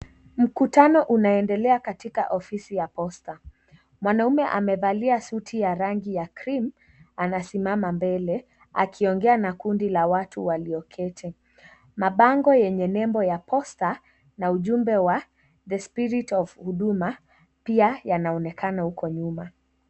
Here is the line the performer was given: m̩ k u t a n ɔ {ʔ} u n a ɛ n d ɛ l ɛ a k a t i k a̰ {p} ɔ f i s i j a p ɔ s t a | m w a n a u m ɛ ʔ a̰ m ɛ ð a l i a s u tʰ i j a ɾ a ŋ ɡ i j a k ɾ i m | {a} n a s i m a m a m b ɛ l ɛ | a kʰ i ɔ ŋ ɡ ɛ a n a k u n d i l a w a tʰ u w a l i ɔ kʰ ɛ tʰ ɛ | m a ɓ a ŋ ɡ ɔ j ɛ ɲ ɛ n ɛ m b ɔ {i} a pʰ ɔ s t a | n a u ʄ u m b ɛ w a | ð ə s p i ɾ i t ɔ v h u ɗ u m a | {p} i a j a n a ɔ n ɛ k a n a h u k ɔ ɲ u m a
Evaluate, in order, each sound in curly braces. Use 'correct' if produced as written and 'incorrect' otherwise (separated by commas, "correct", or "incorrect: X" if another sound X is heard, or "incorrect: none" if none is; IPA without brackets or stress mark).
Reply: correct, incorrect: ʔ, correct, incorrect: j, correct